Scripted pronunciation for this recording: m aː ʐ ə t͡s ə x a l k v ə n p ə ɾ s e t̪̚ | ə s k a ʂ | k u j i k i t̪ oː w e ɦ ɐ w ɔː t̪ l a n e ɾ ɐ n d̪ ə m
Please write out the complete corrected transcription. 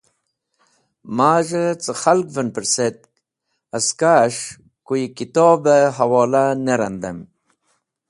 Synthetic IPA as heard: m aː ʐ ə t͡s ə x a l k v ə n p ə ɾ s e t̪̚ | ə s k a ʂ | k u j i k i t̪ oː b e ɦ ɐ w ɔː l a n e ɾ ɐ n d̪ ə m